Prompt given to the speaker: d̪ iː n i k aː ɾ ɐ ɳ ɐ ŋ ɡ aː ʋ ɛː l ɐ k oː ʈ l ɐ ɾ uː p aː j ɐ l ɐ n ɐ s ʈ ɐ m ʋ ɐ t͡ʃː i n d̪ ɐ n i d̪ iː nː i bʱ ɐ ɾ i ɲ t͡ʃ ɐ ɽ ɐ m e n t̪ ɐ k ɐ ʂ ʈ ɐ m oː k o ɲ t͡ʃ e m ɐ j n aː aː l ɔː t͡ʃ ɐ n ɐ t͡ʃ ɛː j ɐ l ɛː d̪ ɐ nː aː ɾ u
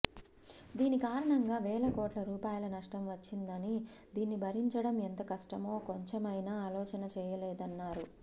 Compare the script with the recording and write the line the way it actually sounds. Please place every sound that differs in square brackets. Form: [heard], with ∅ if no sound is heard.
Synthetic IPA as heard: d̪ iː n i k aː ɾ ɐ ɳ ɐ ŋ ɡ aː ʋ ɛː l ɐ k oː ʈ l ɐ ɾ uː p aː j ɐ l ɐ n ɐ [ʂ] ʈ ɐ m ʋ ɐ t͡ʃː i n d̪ ɐ n i d̪ iː nː i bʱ ɐ ɾ i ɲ t͡ʃ ɐ ɽ ɐ m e n t̪ ɐ k ɐ ʂ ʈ ɐ m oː k o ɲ t͡ʃ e m ɐ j n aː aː l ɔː t͡ʃ ɐ n ɐ t͡ʃ ɛː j ɐ l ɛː d̪ ɐ nː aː ɾ u